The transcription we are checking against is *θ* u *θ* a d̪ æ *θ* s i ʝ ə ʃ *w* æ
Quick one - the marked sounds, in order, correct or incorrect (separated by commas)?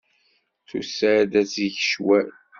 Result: correct, incorrect, incorrect, correct